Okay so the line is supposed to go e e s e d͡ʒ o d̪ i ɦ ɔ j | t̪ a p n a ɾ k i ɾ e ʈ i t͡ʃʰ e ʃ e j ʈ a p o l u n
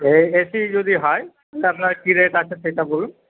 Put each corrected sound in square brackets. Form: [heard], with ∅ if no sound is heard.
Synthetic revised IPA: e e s [i] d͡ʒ o d̪ i ɦ ɔ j | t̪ a p n a ɾ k i ɾ e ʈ [a] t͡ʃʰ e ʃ e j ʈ a [b] o l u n